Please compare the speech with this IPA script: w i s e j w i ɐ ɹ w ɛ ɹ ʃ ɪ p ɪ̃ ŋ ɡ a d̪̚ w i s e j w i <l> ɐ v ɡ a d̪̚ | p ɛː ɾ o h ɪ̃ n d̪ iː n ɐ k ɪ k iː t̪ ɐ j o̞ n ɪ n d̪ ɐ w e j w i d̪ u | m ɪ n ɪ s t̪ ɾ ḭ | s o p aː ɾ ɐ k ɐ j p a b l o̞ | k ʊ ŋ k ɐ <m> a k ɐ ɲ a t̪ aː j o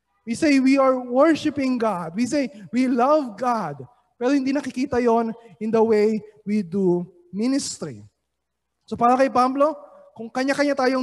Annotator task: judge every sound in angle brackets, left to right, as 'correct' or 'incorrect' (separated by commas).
correct, incorrect